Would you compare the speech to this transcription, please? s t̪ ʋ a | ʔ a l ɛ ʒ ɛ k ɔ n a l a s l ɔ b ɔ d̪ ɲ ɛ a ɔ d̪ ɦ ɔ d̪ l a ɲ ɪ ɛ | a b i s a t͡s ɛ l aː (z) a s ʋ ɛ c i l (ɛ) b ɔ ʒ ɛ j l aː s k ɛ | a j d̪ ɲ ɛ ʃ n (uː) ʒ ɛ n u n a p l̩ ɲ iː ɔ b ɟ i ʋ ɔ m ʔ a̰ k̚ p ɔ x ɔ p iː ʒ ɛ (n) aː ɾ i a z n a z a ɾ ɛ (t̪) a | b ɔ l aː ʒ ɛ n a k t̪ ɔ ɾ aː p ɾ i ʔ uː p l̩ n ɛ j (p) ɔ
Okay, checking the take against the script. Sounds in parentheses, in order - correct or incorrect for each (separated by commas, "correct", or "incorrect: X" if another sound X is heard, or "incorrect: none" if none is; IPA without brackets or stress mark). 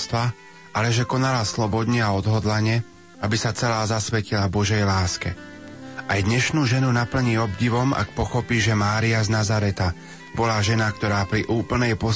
correct, incorrect: a, correct, incorrect: m, correct, correct